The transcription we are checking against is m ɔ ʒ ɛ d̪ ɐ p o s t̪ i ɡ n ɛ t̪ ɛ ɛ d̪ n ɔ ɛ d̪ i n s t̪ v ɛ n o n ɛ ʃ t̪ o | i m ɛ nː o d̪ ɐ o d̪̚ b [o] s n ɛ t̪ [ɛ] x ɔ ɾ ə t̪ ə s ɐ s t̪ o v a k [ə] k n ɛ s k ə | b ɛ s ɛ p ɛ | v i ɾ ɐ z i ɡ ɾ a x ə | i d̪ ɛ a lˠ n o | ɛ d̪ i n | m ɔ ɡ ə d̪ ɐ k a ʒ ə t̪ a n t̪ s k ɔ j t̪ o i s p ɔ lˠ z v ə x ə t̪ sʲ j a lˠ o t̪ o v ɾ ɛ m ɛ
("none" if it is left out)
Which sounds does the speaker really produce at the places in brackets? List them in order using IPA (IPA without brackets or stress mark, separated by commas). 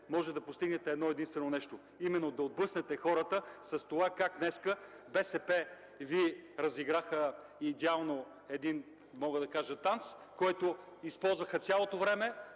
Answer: ɤ, ɛ, a